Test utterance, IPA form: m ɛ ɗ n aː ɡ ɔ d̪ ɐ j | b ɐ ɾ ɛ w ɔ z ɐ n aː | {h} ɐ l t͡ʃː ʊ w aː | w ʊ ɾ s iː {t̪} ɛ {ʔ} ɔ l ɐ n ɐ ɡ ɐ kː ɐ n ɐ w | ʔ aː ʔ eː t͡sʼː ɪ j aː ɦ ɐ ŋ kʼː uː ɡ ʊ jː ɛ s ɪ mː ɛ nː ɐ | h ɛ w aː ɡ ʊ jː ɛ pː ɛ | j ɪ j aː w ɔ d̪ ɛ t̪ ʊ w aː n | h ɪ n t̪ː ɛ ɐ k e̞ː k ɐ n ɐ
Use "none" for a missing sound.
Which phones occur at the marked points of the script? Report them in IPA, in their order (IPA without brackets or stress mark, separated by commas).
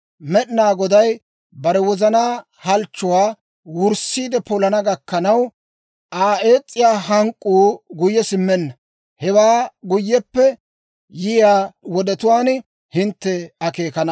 h, d̪, p